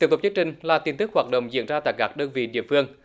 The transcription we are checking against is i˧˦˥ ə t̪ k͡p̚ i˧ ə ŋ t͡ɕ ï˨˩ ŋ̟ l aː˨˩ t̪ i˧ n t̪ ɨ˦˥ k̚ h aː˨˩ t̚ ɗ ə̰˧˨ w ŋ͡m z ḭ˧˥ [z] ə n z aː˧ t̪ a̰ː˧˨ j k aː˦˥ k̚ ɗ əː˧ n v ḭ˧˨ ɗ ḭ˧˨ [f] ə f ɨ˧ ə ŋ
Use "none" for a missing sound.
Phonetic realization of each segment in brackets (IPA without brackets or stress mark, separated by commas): none, none